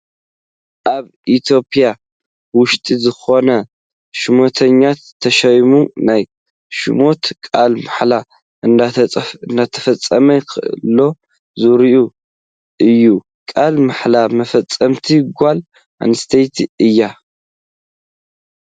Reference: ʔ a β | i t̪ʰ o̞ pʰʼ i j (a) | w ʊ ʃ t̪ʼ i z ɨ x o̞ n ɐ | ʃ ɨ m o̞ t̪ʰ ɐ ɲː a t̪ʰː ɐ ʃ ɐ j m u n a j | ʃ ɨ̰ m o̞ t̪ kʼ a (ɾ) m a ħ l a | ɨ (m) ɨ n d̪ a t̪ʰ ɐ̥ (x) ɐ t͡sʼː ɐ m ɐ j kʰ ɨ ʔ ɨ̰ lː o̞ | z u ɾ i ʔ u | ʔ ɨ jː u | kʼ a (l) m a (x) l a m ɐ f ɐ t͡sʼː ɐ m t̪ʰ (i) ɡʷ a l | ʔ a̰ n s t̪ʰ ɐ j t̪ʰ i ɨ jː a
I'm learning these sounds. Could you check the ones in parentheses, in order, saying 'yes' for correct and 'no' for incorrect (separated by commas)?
yes, no, no, no, yes, no, yes